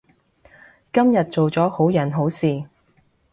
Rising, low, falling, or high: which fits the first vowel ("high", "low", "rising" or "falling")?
high